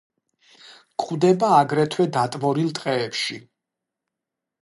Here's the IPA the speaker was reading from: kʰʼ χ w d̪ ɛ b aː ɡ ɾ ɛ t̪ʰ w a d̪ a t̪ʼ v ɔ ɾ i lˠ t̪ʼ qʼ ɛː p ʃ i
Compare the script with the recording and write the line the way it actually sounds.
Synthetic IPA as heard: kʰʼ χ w d̪ ɛ b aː ɡ ɾ ɛ t̪ʰ w ɛ d̪ a t̪ʼ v ɔ ɾ i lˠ t̪ʼ qʼ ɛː p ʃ i